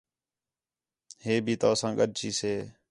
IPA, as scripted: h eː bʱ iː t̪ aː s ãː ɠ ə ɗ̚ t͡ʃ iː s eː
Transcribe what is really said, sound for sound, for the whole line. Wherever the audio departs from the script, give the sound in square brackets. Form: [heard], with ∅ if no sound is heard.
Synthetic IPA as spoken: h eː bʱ iː t̪ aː s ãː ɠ ə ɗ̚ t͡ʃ iː s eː

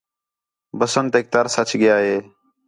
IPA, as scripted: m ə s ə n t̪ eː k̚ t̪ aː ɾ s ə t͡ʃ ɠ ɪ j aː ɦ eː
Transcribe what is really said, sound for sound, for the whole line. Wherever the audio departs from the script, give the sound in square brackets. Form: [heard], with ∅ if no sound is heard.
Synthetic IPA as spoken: [b] ə s ə n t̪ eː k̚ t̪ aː ɾ s ə t͡ʃ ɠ ɪ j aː ɦ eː

